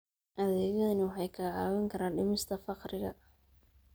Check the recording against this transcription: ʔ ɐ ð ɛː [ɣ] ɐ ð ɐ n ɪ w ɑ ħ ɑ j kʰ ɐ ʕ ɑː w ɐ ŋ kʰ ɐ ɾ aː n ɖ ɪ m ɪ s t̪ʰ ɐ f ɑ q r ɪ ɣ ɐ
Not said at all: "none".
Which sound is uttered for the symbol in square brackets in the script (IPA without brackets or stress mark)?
ɣ